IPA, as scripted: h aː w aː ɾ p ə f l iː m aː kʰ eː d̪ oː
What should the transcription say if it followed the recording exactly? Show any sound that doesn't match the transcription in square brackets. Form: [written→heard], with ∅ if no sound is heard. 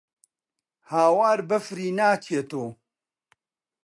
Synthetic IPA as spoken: h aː w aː ɾ [p→b] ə f [l→ɾ] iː [m→n] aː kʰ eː [d̪→t̪] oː